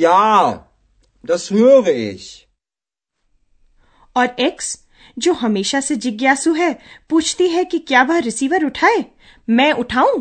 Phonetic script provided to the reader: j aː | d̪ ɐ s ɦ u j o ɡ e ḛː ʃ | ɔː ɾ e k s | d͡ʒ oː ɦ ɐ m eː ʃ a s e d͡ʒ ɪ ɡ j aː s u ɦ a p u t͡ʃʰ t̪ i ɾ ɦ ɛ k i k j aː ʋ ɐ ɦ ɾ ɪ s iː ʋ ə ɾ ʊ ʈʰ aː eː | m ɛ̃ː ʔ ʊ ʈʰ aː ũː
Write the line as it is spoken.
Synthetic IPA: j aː | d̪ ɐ s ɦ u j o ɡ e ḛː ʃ | ɔː ɾ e k s | d͡ʒ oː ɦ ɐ m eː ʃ a s e d͡ʒ ɪ ɡ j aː s u ɦ ɛ p uː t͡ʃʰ t̪ i ɦ ɛ k i k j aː ʋ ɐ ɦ ɾ ɪ s iː ʋ ə ɾ ʊ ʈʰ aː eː | m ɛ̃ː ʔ ʊ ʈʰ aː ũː